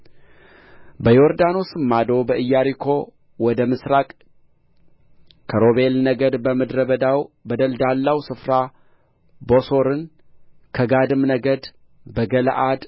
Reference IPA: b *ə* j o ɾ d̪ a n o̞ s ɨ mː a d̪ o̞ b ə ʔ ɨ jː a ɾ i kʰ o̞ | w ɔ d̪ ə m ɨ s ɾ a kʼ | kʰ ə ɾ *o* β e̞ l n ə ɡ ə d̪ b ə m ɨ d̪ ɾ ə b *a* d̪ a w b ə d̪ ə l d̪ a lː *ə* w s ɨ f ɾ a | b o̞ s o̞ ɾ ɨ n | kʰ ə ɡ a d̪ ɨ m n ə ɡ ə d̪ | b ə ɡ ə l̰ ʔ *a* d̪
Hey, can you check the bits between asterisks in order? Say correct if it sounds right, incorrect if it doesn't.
correct, correct, incorrect, incorrect, correct

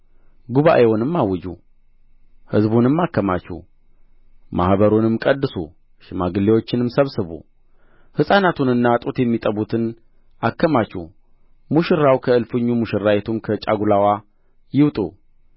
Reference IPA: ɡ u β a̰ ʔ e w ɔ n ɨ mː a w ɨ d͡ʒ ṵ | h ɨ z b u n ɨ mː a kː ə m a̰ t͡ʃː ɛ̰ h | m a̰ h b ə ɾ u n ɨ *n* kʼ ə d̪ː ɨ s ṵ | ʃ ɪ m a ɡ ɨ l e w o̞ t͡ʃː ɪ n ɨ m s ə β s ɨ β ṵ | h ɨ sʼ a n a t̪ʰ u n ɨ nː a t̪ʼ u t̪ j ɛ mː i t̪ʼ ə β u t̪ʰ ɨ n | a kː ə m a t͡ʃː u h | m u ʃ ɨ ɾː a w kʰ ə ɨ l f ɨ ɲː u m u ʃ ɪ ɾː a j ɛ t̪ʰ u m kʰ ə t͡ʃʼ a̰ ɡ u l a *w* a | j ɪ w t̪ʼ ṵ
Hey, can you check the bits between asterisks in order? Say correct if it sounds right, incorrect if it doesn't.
incorrect, correct

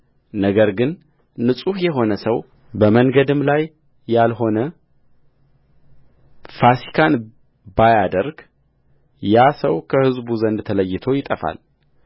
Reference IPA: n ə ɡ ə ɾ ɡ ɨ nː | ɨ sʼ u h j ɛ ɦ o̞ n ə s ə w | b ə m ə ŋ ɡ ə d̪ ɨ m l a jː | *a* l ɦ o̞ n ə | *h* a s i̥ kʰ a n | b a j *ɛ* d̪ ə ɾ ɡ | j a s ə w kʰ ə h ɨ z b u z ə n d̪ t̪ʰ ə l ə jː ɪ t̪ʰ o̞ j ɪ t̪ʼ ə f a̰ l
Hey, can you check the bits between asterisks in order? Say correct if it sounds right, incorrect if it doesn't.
correct, incorrect, incorrect

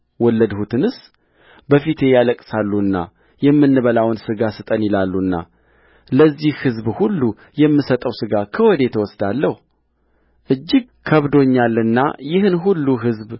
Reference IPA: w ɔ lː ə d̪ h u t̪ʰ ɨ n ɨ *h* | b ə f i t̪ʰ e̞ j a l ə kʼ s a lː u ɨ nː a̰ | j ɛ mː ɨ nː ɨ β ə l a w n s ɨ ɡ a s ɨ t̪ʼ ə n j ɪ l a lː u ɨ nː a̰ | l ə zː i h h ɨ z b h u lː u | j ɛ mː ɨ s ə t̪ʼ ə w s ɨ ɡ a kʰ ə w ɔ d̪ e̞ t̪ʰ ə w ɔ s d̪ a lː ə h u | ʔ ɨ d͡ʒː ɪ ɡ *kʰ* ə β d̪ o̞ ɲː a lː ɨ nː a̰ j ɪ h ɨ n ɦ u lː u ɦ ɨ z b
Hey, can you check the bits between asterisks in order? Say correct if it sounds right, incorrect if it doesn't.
incorrect, correct

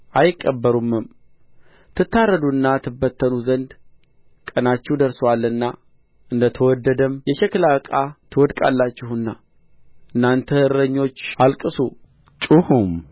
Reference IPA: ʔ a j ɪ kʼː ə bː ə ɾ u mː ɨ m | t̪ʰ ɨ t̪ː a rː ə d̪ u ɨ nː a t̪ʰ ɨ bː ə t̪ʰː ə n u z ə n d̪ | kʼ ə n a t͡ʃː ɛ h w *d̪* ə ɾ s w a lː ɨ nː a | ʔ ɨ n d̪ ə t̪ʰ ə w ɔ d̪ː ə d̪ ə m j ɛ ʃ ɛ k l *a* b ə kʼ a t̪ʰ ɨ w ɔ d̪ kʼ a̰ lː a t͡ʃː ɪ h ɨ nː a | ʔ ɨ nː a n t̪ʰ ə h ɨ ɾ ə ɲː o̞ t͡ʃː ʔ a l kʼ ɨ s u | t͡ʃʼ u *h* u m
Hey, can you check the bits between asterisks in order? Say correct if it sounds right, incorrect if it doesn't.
correct, correct, correct

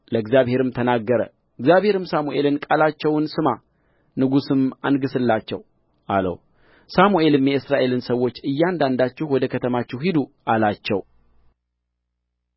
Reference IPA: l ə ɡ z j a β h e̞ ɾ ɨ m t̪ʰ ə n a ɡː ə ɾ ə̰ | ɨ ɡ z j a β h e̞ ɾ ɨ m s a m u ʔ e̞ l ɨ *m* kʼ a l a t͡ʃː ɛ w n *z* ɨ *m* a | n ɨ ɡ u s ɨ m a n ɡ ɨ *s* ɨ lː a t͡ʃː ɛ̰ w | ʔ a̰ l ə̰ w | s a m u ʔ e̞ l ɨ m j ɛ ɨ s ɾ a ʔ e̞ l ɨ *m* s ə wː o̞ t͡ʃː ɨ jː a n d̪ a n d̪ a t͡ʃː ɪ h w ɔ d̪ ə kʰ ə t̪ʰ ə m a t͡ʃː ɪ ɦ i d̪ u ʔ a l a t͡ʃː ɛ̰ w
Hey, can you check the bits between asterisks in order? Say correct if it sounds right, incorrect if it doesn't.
incorrect, incorrect, correct, correct, incorrect

